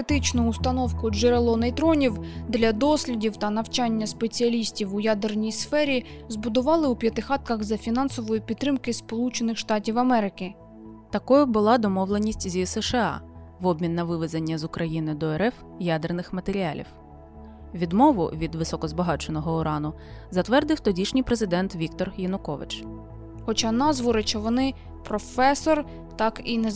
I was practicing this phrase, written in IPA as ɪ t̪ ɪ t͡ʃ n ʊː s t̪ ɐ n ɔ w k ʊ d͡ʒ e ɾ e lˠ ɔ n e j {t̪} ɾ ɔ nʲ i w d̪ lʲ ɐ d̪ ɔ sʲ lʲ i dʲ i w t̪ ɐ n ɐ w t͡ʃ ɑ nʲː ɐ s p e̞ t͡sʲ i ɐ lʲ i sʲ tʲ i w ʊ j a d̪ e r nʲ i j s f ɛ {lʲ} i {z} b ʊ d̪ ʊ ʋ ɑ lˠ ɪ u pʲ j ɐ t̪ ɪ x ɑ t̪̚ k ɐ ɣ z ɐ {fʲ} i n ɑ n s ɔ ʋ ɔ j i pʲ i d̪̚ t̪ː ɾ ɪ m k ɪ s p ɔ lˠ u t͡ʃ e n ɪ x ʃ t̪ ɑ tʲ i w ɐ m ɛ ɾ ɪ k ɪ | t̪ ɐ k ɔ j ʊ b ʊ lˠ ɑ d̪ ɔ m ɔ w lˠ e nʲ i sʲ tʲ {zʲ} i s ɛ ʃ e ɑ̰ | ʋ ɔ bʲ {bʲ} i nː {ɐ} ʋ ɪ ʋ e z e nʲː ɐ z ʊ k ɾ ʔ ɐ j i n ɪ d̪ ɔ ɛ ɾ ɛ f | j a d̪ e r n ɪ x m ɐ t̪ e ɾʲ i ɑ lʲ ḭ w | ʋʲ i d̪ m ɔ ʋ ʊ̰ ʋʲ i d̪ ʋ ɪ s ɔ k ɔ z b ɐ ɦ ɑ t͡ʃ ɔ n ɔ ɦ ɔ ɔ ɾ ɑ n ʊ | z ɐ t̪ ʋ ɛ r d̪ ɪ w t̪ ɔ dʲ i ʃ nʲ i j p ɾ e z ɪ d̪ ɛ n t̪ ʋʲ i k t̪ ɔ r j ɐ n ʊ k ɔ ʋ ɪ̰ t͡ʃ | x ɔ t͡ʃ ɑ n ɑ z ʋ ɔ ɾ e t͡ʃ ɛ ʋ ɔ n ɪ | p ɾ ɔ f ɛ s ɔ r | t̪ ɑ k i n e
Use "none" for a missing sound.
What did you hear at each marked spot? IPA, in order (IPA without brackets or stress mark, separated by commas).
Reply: t̪, ɾʲ, z, fʲ, zʲ, mʲ, ɐ